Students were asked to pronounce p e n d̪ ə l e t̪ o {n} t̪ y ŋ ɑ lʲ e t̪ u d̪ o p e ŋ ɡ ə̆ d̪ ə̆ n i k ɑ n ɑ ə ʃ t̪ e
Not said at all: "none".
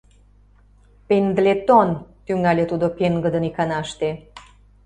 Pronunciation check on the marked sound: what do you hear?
n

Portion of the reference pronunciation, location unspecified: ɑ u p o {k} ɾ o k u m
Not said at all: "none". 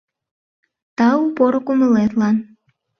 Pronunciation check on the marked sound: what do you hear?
none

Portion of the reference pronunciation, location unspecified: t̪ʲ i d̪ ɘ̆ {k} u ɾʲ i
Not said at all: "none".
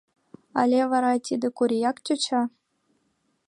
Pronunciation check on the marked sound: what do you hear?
k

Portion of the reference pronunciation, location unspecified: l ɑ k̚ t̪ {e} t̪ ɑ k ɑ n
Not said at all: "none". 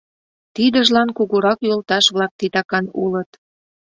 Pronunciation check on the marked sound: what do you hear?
i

